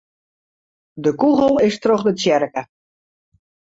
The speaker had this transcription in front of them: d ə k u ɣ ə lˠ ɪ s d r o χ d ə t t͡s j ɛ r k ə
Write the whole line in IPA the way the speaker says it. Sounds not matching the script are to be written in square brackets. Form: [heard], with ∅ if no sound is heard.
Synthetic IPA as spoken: d ə k u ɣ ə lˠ ɪ s [t] r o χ d ə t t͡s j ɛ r k ə